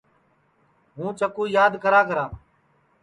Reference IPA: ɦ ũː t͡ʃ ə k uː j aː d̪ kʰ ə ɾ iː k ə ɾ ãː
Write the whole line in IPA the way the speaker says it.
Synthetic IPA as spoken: ɦ ũː t͡ʃ ə k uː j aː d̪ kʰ ə ɾ aː k ə ɾ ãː